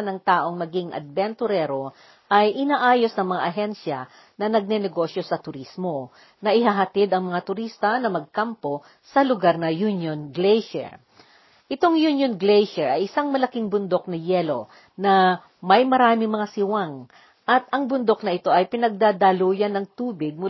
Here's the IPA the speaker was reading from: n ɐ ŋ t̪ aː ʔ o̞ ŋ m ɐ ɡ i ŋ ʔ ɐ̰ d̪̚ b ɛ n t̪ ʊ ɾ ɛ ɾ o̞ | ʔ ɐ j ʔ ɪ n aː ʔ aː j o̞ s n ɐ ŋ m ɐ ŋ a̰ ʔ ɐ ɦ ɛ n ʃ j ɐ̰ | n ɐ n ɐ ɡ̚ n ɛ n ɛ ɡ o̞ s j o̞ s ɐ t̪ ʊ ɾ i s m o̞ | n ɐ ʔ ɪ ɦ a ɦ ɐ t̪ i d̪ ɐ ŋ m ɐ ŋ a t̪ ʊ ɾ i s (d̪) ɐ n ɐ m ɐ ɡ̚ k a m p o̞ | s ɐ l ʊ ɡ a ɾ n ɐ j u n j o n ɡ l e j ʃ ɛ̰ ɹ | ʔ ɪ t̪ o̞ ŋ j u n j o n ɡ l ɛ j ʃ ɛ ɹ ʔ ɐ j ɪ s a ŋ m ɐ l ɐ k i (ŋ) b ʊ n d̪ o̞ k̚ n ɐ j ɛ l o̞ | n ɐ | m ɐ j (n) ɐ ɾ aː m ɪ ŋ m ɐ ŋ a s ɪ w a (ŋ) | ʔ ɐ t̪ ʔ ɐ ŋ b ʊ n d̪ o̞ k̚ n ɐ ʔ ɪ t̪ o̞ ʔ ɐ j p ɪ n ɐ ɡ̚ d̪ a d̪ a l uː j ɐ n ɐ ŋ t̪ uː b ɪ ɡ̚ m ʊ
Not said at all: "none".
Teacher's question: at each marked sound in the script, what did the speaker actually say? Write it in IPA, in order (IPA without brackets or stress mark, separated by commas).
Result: t̪, ŋ, m, ŋ